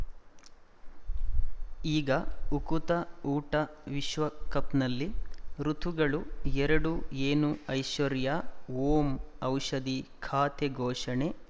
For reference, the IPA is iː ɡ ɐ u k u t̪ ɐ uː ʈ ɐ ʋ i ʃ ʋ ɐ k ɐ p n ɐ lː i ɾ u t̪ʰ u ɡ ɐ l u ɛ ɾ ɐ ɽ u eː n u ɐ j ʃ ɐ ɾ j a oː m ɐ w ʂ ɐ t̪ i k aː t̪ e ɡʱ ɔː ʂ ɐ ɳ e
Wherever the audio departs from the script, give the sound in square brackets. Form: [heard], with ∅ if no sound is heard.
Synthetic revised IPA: iː ɡ ɐ u k u t̪ ɐ uː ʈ ɐ ʋ i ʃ ʋ ɐ k ɐ p n ɐ lː i ɾ u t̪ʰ u ɡ ɐ [ɭ] u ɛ ɾ ɐ ɽ u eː n u ɐ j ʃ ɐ ɾ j a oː m ɐ w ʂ ɐ [d̪] i [kʰ] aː t̪ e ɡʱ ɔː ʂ ɐ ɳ e